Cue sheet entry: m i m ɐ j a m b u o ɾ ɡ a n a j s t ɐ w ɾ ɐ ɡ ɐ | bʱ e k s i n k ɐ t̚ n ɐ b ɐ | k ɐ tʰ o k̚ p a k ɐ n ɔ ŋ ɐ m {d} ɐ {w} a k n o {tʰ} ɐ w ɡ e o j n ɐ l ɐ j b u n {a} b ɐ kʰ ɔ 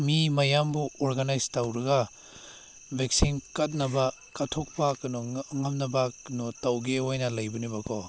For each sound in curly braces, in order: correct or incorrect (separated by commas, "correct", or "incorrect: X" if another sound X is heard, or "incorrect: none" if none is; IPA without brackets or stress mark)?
incorrect: n, incorrect: b, incorrect: t, incorrect: i